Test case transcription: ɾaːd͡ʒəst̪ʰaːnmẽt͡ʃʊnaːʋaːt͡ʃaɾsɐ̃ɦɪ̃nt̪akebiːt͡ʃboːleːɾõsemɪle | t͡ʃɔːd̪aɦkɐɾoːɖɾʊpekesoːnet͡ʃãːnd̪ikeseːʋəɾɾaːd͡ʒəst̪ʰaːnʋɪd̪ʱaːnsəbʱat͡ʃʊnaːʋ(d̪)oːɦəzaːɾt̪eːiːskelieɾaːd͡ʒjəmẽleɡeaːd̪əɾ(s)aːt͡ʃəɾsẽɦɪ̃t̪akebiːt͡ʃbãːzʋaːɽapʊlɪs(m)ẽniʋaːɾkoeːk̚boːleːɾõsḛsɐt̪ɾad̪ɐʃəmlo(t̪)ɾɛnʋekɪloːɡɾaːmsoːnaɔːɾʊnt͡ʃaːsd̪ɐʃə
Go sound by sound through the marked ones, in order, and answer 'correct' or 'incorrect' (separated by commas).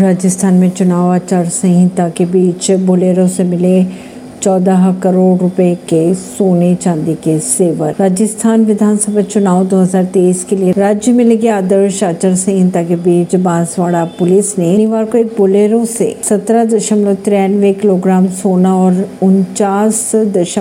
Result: correct, incorrect, incorrect, correct